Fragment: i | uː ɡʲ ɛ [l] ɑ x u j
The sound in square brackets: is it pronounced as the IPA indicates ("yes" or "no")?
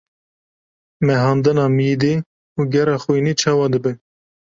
no